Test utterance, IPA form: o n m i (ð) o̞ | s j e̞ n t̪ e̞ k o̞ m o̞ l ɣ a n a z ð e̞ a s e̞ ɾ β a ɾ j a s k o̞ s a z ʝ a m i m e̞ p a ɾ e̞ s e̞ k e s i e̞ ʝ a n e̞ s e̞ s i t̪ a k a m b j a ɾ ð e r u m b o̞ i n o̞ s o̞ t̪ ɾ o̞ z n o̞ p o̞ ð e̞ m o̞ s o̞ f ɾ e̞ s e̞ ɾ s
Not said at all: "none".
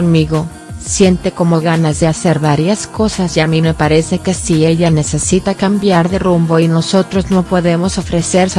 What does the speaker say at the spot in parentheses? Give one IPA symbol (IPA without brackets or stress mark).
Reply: ɣ